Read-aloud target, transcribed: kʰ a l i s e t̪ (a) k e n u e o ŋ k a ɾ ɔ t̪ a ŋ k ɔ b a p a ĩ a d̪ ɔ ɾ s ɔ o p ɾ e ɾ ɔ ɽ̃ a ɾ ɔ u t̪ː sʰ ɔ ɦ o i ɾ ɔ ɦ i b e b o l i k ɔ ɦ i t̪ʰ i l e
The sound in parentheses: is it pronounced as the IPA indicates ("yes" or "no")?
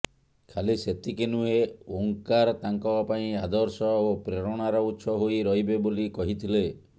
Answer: no